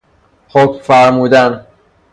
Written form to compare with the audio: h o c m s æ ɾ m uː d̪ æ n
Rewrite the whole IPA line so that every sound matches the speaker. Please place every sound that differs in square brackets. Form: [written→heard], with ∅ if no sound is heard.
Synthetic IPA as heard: h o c m [s→f] æ ɾ m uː d̪ æ n